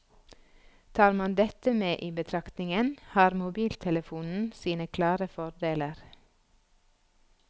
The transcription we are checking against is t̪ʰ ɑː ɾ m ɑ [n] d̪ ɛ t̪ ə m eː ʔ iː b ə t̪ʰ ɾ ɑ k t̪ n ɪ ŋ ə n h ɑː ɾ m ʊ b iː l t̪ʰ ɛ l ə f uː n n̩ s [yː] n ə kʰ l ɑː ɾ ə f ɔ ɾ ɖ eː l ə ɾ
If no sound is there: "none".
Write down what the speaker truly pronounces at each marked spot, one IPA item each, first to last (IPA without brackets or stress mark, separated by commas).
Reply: n, iː